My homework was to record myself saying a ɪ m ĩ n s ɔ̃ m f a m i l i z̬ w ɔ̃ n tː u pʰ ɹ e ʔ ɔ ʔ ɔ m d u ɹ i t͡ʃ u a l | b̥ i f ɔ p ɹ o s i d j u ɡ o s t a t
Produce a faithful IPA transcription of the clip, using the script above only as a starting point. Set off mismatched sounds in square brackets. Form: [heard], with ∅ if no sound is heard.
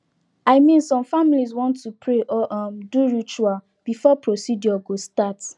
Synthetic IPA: a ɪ m ĩ n s ɔ̃ m f a m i l i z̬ w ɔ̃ n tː u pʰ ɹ e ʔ ɔ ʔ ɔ m d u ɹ i t͡ʃ u a l | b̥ i f ɔ p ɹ o s i d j [ɔ] ɡ o s t a t